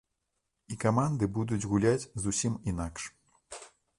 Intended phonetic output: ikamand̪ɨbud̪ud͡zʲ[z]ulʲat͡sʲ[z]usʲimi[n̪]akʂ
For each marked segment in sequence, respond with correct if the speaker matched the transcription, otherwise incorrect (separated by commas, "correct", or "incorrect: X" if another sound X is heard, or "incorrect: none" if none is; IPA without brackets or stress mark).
incorrect: ɣ, correct, correct